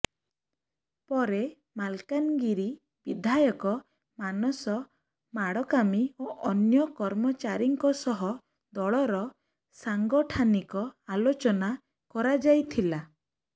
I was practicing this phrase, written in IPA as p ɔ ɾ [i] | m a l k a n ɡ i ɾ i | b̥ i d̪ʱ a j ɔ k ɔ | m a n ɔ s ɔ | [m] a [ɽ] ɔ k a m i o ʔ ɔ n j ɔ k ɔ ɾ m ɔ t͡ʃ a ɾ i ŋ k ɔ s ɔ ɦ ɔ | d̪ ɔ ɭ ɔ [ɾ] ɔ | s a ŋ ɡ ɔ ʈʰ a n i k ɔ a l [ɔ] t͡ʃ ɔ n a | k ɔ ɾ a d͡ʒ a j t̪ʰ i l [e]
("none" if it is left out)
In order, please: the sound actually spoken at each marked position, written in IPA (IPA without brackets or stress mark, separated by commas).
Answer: e, m, ɽ, ɾ, o, a